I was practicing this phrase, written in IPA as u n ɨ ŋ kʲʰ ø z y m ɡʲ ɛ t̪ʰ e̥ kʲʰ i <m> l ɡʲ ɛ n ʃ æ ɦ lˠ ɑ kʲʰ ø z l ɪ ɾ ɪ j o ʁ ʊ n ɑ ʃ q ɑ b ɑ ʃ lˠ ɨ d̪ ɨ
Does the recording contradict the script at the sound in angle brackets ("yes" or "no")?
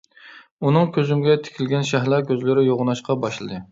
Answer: yes